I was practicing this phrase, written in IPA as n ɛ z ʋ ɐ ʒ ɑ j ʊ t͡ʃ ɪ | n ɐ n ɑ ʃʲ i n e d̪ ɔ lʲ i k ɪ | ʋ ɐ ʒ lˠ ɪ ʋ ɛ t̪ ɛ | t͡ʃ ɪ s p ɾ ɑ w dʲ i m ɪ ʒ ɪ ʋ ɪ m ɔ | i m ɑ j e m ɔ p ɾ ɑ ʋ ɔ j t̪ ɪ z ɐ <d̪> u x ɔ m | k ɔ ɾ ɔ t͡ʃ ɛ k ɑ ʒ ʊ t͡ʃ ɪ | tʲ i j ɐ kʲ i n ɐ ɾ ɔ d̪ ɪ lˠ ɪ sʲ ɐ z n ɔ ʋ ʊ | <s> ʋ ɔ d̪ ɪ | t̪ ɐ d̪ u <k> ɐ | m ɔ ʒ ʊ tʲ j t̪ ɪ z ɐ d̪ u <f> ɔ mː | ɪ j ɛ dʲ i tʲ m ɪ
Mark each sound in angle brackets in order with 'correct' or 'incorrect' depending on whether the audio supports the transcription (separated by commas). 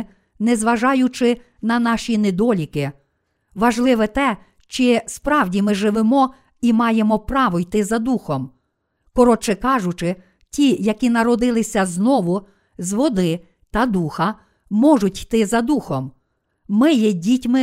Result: correct, incorrect, incorrect, incorrect